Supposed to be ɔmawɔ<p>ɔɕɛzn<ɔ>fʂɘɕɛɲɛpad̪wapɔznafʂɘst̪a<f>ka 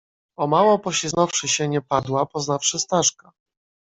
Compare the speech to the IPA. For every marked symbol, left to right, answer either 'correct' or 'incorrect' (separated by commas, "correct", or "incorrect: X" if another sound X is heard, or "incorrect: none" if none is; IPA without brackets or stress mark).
correct, correct, incorrect: ʂ